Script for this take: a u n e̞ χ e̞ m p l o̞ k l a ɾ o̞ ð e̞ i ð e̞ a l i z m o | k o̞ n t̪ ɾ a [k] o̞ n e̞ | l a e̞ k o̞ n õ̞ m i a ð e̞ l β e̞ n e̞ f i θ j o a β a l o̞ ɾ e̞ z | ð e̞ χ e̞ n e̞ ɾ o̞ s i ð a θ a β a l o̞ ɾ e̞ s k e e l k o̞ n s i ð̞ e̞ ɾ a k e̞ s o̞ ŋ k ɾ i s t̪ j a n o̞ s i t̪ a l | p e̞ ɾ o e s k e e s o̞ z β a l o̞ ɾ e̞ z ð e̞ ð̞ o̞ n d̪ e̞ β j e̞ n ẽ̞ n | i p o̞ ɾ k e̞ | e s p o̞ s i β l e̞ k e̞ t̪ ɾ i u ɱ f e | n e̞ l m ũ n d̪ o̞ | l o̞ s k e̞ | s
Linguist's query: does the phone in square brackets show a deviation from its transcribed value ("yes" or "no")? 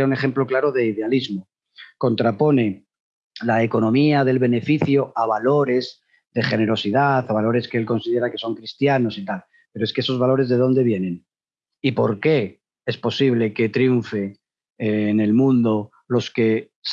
yes